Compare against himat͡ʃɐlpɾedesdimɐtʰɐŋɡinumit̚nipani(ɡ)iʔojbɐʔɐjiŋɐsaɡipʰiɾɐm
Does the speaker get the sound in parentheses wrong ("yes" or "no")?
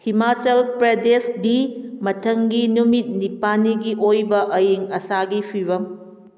no